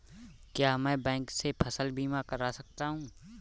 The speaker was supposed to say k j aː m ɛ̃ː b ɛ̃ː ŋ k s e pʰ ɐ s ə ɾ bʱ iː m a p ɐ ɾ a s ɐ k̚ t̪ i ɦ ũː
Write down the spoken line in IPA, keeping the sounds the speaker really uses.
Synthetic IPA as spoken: k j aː m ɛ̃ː b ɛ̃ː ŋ k s e pʰ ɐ s ə l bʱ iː m a k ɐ ɾ a s ɐ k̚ t̪ a ɦ ũː